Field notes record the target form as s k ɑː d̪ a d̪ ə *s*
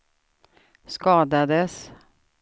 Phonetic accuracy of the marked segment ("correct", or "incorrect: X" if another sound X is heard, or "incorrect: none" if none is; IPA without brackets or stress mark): correct